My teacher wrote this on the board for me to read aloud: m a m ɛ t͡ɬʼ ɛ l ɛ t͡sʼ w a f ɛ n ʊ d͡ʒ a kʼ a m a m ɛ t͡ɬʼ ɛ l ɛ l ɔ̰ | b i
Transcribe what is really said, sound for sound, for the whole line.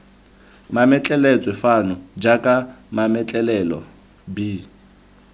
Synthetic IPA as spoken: m a m ɛ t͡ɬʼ ɛ l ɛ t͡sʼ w ɛ f a n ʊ d͡ʒ a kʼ a m a m ɛ t͡ɬʼ ɛ l ɛ l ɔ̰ | b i